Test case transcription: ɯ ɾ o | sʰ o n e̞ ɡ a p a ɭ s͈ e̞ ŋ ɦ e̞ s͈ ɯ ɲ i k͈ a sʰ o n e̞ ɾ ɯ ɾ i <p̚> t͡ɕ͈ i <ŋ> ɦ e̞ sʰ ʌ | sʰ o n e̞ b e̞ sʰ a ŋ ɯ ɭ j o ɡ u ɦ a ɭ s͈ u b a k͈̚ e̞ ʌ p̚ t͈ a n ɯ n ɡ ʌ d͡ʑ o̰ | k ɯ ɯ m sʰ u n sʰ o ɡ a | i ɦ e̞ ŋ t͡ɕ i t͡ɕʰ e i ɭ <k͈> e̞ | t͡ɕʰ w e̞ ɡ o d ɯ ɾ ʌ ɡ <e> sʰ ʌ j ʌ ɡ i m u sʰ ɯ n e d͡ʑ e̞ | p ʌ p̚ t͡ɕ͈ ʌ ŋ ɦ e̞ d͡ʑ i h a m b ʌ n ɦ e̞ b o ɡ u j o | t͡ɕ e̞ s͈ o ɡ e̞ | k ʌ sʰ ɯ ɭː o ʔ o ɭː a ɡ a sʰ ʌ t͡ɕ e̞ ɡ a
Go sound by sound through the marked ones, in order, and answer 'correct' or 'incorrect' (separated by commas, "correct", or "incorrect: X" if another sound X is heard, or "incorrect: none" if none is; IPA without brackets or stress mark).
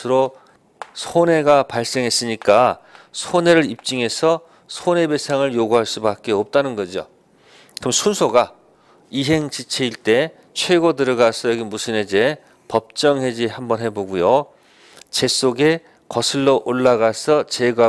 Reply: correct, correct, incorrect: t͈, incorrect: a